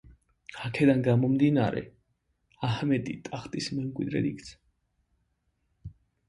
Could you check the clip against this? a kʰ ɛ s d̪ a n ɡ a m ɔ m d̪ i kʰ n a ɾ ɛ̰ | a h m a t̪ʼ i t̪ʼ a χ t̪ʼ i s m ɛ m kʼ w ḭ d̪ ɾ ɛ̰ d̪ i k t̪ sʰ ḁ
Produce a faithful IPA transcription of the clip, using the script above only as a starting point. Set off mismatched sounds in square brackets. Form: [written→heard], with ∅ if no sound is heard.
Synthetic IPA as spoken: a kʰ ɛ [s→∅] d̪ a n ɡ a m ɔ m d̪ i [kʰ→∅] n a ɾ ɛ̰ | a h m [a→ɛ] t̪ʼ i t̪ʼ a χ t̪ʼ i s m ɛ m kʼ w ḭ d̪ ɾ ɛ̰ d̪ i k t̪ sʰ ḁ